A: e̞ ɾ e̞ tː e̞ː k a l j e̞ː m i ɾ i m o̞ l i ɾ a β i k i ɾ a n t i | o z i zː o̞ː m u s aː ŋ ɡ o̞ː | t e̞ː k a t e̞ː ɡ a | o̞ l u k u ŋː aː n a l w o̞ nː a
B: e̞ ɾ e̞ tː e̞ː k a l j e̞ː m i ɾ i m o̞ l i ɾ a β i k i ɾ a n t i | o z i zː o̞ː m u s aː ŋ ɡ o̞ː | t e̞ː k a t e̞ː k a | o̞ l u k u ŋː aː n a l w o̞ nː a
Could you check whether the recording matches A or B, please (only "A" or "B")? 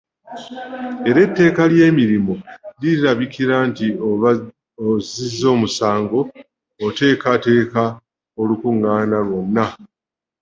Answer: B